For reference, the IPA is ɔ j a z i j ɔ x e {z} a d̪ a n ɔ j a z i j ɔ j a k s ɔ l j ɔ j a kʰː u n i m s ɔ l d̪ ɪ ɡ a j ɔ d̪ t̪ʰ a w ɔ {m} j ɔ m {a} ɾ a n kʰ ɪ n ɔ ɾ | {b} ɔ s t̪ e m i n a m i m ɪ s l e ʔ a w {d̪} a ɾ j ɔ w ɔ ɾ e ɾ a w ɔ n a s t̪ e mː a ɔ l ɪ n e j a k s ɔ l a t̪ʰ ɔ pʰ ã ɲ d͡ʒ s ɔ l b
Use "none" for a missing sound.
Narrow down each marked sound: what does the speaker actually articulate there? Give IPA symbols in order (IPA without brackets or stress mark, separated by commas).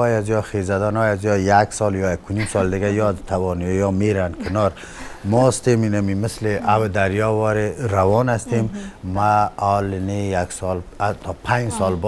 z, n, e, m, d̪